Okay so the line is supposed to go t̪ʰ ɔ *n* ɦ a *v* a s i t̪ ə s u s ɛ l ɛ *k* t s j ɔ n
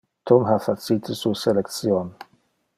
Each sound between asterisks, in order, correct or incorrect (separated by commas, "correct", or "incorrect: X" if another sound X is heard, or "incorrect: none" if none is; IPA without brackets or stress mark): incorrect: m, incorrect: f, correct